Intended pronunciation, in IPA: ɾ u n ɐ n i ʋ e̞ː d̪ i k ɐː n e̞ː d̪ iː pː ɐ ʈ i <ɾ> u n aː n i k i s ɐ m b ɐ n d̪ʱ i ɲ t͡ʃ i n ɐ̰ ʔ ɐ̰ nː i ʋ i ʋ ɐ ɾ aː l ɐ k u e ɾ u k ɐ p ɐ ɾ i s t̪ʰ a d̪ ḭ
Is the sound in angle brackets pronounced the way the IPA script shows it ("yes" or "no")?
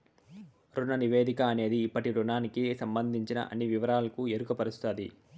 yes